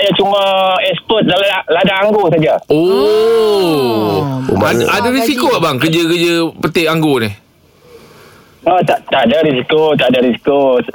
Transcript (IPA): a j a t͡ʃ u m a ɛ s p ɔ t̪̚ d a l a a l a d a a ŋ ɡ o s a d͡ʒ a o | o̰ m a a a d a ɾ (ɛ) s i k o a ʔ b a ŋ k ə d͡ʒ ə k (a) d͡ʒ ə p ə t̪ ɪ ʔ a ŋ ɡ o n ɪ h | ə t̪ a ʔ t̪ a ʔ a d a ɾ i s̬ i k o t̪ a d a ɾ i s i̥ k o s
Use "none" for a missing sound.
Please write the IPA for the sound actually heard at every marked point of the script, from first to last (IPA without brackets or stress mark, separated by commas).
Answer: i, ə